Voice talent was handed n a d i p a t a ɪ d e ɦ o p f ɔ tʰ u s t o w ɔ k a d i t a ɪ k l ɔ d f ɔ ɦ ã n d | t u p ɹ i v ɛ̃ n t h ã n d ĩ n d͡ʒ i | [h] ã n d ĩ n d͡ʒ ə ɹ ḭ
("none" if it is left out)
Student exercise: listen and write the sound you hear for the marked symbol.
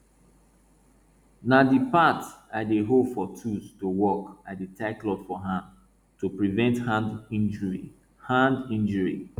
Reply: h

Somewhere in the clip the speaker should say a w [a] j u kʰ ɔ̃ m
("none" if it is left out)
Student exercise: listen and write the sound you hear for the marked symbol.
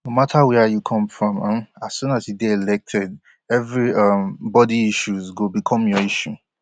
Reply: ɛ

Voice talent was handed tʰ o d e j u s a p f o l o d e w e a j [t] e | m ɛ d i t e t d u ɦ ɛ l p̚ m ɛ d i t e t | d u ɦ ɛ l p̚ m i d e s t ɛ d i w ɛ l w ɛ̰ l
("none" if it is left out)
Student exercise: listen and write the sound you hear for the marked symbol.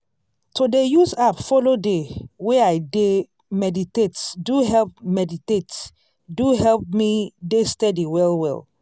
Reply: d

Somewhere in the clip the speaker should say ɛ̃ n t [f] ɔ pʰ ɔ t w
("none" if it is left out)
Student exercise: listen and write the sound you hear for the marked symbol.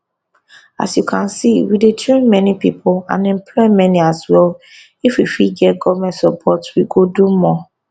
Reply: s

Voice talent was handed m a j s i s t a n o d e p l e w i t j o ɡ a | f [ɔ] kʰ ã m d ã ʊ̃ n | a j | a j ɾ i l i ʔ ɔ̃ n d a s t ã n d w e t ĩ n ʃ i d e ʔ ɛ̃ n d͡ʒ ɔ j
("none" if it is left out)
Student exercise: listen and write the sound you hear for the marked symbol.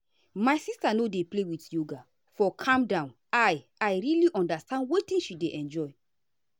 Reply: ɔ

